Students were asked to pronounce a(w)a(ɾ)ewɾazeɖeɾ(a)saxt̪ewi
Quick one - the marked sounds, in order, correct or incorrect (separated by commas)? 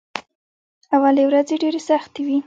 correct, incorrect, incorrect